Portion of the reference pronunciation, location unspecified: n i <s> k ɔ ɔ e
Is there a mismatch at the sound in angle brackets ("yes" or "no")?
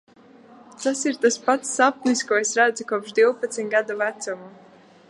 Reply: no